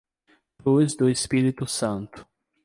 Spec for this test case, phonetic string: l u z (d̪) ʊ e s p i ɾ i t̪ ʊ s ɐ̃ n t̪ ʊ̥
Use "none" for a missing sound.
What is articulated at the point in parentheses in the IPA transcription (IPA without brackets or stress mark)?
d̪